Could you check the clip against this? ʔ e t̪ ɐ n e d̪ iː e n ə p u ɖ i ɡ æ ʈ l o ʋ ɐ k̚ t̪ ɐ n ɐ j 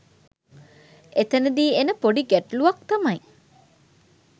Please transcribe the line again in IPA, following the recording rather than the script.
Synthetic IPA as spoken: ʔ e t̪ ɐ n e d̪ iː e n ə p o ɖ i ɡ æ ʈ l u ʋ ɐ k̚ t̪ ɐ m ɐ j